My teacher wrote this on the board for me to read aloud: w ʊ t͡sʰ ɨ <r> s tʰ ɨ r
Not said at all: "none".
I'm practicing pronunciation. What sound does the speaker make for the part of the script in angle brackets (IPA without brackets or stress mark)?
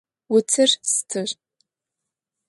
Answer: r